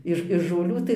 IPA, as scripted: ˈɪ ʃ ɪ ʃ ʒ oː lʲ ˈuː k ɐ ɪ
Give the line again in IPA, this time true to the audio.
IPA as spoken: ˈɪ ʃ ɪ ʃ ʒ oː lʲ ˈuː t ɐ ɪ

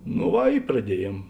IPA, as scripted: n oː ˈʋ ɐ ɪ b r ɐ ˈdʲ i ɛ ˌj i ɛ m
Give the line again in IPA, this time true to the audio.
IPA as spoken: n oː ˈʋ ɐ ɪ p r ɐ ˈdʲ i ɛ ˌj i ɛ m

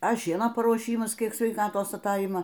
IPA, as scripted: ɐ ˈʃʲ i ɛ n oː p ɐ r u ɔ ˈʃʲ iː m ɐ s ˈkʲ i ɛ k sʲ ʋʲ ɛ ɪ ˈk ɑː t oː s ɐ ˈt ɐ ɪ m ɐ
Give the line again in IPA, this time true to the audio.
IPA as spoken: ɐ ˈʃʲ i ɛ n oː p ɐ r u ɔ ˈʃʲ iː m ɐ s ˈkʲ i ɛ k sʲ ʋʲ ɛ ɪ ˈk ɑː t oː s ɐ ˈt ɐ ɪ m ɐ

